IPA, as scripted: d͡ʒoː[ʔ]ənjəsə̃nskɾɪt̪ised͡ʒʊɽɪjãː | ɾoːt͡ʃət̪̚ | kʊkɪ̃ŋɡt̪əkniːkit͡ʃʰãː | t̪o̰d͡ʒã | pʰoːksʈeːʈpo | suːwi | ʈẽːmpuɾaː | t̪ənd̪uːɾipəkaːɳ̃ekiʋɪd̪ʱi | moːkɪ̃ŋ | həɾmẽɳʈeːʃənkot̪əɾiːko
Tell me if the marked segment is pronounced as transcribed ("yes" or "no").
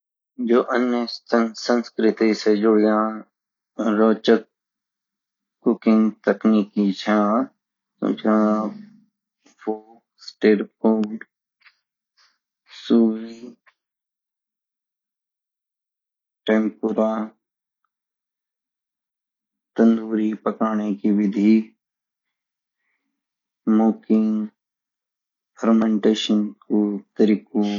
yes